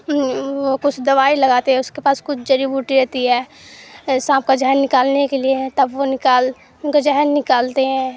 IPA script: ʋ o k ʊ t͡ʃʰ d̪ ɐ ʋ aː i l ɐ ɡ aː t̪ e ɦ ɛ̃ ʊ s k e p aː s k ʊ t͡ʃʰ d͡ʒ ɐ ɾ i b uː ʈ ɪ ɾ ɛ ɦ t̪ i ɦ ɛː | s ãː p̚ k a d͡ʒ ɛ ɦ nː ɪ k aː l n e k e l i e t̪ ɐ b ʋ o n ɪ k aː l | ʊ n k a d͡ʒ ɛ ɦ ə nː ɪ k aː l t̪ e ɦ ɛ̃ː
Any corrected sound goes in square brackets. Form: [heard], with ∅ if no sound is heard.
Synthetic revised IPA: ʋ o k ʊ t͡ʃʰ d̪ ɐ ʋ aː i l ɐ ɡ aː t̪ e ɦ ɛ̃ ʊ s k e p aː s k ʊ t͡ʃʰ d͡ʒ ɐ ɾ i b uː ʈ [i] ɾ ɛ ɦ t̪ i ɦ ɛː | s ãː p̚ k a d͡ʒ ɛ ɦ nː ɪ k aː l n e k e l i e t̪ ɐ b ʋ o n ɪ k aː l | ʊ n k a d͡ʒ ɛ ɦ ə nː ɪ k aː l t̪ e ɦ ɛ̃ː